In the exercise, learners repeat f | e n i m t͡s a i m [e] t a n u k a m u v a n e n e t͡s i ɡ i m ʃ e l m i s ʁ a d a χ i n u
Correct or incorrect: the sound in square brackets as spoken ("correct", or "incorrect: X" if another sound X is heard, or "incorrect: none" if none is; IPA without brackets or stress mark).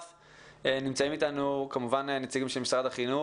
incorrect: i